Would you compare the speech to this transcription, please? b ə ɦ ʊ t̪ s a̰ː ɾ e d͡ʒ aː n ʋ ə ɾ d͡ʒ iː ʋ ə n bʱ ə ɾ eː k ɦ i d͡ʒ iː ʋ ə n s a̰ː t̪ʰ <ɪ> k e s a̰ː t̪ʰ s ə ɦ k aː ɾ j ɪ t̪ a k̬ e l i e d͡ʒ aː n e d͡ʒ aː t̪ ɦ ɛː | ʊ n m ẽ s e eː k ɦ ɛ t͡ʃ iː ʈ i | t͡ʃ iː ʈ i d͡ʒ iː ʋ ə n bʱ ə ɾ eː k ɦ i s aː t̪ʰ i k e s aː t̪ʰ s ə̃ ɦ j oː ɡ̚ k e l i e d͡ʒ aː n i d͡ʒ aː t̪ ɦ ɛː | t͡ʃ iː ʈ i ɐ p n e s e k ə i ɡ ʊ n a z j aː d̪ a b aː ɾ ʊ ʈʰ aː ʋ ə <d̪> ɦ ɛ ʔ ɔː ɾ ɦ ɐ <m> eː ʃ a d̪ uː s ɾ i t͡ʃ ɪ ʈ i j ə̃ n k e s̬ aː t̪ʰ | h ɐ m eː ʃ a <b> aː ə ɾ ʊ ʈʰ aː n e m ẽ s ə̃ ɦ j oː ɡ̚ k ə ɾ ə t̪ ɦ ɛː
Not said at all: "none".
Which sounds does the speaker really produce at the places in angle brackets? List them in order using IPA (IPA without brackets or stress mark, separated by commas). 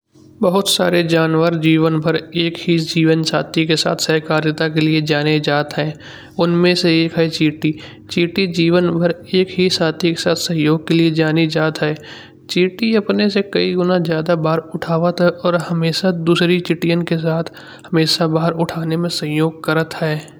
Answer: i, t̪, m, b